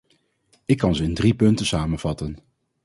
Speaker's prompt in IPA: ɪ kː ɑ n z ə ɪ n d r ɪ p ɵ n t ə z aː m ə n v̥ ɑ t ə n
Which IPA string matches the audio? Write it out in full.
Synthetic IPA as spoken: ɪ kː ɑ n z ə ɪ n d r i p ɵ n t ə s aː m ə n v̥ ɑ t ə n